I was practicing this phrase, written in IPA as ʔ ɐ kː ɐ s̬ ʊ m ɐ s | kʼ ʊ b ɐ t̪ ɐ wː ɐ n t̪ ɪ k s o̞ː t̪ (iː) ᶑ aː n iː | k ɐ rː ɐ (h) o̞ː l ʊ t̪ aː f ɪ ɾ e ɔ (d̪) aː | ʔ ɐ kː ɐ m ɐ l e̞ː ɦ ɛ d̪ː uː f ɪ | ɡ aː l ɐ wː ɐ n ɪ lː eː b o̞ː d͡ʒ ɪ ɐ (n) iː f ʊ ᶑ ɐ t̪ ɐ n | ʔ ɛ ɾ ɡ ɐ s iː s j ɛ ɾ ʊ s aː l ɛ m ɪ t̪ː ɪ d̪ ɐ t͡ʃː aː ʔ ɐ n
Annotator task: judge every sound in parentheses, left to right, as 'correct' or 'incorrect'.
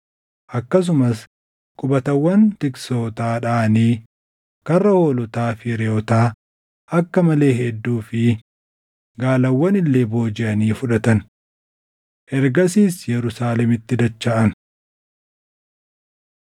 incorrect, correct, incorrect, correct

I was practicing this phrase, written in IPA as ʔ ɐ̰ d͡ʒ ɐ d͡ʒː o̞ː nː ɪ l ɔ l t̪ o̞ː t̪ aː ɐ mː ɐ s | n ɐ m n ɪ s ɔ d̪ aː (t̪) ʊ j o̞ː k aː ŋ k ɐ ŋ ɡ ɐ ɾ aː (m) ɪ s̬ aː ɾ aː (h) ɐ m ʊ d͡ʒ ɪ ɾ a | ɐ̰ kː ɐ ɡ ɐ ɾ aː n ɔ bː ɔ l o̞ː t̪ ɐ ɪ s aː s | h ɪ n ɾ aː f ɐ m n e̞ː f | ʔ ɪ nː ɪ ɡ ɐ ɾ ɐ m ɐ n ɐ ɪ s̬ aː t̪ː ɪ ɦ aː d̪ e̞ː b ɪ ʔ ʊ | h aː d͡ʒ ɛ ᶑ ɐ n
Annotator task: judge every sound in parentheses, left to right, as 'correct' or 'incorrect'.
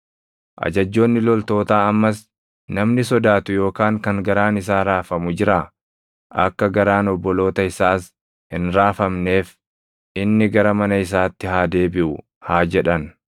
correct, incorrect, incorrect

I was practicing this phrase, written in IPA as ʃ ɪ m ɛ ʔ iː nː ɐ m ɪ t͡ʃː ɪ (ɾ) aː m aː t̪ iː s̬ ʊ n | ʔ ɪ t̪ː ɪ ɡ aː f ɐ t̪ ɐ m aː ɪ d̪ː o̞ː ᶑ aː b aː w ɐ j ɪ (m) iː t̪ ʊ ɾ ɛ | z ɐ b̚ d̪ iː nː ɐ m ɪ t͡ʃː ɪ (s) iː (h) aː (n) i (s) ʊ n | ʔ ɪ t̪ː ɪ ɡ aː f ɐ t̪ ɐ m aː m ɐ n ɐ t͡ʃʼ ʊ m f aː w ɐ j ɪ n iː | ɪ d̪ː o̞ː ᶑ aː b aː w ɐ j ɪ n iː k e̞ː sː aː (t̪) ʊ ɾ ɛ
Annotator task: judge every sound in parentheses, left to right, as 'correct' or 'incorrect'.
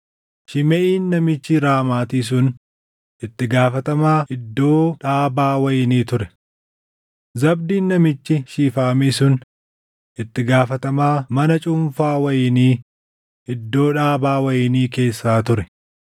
correct, incorrect, incorrect, incorrect, incorrect, correct, correct

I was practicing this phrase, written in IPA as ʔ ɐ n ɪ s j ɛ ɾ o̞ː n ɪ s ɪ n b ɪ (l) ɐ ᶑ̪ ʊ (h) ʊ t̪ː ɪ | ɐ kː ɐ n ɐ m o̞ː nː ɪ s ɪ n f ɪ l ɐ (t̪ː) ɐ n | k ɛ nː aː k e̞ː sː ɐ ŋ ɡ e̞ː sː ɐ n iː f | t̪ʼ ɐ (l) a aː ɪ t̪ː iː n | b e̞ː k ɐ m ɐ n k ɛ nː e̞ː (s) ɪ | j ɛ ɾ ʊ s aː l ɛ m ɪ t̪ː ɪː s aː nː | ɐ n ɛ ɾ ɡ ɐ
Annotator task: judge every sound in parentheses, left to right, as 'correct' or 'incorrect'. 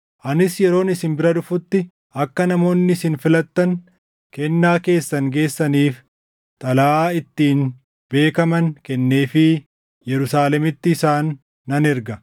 incorrect, incorrect, correct, correct, incorrect

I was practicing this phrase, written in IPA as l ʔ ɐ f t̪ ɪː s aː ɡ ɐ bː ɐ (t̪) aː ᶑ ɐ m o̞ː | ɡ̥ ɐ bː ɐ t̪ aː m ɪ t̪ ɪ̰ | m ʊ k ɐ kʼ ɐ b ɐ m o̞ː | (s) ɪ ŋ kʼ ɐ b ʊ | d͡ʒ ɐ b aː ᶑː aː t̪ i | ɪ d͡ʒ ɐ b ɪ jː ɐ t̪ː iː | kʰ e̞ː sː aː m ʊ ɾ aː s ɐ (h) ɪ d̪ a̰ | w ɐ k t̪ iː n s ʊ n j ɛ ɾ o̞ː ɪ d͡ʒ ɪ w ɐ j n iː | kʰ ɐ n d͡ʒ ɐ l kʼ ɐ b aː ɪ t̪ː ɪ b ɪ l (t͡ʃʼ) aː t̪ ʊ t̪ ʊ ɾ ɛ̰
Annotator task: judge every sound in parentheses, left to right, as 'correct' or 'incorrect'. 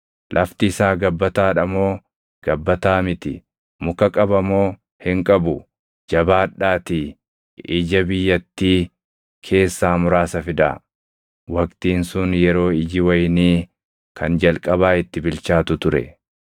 correct, incorrect, incorrect, incorrect

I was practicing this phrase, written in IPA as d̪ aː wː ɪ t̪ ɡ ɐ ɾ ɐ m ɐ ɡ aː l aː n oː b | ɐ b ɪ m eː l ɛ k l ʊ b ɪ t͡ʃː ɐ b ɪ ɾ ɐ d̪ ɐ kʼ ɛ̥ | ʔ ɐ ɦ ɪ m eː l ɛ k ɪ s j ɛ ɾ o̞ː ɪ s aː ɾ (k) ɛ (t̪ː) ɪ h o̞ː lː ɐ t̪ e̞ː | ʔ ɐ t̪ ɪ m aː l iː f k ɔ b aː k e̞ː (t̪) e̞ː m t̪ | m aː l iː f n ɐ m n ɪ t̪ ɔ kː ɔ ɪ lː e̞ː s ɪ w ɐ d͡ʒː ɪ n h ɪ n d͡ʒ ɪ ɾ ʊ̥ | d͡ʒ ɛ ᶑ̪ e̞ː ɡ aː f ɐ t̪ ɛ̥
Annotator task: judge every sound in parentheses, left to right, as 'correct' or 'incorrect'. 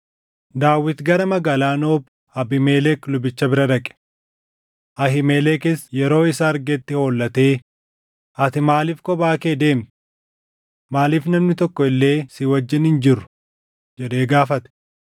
incorrect, correct, incorrect

